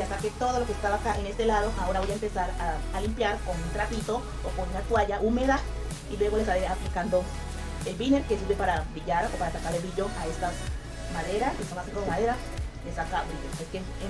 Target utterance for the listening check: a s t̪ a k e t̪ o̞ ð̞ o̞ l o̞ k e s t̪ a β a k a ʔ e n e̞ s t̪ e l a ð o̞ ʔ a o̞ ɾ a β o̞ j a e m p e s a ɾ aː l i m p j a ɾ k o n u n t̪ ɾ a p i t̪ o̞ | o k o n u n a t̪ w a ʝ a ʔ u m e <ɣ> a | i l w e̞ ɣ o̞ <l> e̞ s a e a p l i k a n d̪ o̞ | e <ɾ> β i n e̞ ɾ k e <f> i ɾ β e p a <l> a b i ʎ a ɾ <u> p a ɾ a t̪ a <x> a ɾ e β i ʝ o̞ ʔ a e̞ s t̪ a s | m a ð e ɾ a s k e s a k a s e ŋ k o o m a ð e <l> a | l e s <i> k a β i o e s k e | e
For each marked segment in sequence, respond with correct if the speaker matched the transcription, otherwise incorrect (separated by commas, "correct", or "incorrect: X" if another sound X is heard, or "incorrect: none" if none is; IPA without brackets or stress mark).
incorrect: ð, correct, incorrect: l, incorrect: s, incorrect: ɾ, incorrect: o, incorrect: k, incorrect: ɾ, incorrect: a